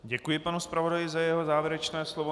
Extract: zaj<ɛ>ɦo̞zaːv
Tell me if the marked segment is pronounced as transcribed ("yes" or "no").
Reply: yes